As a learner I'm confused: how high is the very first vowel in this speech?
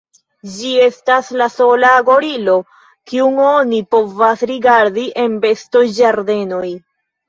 high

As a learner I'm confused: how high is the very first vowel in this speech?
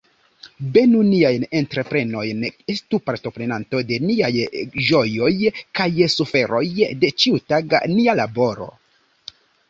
mid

